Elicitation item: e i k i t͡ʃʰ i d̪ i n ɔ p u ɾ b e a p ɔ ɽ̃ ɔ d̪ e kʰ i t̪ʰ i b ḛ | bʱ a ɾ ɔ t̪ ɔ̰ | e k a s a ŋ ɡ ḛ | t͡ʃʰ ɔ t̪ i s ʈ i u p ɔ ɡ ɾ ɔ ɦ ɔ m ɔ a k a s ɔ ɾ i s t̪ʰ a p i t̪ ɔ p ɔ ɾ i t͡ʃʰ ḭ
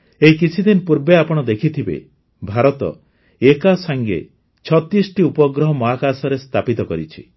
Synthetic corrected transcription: e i k i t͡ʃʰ i d̪ i n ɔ p u ɾ b e a p ɔ ɽ̃ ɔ d̪ e kʰ i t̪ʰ i b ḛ | bʱ a ɾ ɔ t̪ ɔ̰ | e k a s a ŋ ɡ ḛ | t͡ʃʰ ɔ t̪ i s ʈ i u p ɔ ɡ ɾ ɔ ɦ ɔ m ɔ a k a s ɔ ɾ e s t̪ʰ a p i t̪ ɔ k ɔ ɾ i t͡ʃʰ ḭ